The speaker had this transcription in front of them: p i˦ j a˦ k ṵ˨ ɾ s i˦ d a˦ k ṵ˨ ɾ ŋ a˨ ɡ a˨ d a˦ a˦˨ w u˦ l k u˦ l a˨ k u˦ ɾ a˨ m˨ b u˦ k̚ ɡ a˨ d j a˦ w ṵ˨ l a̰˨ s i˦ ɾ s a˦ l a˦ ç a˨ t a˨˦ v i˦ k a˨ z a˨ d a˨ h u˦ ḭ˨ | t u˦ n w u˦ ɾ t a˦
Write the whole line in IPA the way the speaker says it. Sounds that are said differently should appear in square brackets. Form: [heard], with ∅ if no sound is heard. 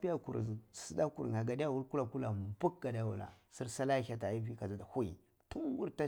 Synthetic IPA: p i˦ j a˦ k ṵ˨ ɾ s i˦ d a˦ k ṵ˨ ɾ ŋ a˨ ɡ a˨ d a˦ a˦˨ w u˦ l k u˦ l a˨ k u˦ [l] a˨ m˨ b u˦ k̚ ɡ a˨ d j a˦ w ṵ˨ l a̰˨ s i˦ ɾ s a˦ l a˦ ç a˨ t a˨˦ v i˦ k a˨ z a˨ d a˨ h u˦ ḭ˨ | t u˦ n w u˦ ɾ t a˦